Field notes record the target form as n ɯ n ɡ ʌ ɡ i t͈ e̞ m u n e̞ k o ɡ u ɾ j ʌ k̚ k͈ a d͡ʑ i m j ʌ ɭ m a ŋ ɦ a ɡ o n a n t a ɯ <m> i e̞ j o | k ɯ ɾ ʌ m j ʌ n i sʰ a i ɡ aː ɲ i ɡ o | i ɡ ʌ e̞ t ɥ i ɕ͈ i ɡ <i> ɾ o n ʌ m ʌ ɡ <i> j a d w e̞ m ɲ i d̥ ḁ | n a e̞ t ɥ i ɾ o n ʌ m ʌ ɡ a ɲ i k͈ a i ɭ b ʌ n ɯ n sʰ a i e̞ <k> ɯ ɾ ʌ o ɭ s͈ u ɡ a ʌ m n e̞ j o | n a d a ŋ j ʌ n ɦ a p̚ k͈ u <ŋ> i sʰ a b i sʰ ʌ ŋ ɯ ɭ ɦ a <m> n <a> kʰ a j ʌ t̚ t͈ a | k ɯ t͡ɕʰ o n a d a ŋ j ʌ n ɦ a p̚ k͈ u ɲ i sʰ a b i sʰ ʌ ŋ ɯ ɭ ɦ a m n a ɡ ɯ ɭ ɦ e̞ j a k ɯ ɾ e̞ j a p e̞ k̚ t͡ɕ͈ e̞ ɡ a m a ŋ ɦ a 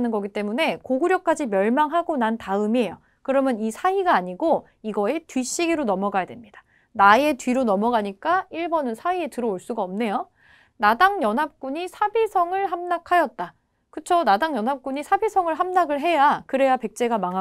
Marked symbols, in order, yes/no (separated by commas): yes, yes, no, no, no, yes, yes